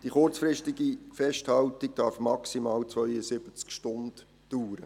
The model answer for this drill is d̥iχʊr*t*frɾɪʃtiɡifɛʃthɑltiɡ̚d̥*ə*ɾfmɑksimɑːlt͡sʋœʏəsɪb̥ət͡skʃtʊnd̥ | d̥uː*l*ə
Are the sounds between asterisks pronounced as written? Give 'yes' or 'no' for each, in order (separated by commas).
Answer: no, no, no